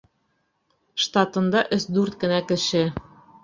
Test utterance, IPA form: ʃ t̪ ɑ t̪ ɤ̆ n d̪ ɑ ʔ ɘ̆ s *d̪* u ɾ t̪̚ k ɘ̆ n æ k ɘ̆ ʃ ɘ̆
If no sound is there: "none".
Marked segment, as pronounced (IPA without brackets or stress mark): d̪